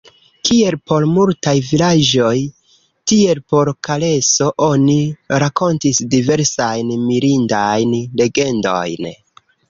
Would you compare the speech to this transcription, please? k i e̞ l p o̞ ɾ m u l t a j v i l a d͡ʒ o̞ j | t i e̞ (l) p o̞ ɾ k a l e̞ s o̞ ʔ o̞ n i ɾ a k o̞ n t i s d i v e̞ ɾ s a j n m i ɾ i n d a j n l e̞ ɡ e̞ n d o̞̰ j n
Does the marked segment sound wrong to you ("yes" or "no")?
no